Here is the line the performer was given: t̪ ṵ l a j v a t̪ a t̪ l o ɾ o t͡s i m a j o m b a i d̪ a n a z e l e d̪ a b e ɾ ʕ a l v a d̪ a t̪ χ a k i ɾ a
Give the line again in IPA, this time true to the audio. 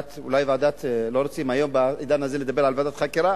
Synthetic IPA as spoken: t̪ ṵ l a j v a d̪ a t̪ l o ɾ o t͡s i m a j o m b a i d̪ a n a z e l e d̪ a b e ɾ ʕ a l v a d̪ a t̪ χ a k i ɾ a